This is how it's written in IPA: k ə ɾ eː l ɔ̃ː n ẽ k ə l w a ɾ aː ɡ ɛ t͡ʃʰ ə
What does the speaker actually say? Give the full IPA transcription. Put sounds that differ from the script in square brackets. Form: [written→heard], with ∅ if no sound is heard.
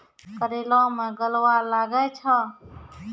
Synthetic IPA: k ə ɾ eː l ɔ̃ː [n→m] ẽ [k→ɡ] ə l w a [ɾ→l] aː ɡ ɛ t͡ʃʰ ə